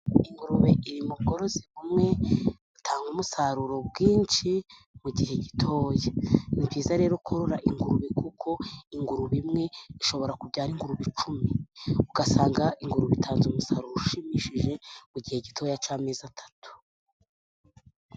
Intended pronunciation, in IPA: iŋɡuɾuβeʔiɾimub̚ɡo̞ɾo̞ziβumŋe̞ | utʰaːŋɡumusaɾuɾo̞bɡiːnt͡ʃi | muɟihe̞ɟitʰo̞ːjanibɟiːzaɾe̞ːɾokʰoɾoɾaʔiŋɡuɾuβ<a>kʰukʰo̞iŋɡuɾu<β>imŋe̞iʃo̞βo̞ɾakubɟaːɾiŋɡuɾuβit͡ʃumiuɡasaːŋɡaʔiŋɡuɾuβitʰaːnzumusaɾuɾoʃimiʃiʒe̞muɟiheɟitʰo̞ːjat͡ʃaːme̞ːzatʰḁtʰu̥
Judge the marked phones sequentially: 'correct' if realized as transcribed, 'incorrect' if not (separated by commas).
incorrect, correct